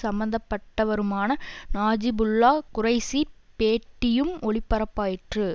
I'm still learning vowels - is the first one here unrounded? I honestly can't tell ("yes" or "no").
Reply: yes